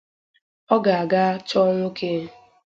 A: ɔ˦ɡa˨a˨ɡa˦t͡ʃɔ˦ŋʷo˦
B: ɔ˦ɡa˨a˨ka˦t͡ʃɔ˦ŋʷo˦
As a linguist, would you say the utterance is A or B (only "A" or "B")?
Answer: A